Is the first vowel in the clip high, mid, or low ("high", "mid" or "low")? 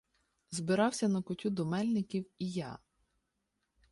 high